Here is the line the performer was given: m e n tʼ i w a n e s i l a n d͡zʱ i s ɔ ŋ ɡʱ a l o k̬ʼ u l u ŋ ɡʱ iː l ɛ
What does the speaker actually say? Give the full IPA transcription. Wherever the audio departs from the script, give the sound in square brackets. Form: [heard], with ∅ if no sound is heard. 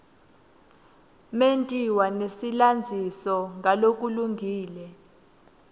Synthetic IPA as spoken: m e n tʼ i w a n e s i l a n d͡zʱ i s ɔ ŋ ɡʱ a l o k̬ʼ u l u ŋ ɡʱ iː l ɛ